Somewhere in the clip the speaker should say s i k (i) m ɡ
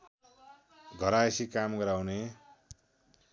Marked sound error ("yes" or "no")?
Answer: yes